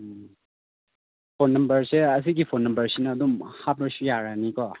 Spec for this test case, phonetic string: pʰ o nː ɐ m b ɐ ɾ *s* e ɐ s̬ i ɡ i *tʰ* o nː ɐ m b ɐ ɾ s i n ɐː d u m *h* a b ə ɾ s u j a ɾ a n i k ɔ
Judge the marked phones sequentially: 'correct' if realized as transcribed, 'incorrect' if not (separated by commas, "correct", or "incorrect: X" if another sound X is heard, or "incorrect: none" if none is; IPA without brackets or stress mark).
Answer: correct, incorrect: pʰ, correct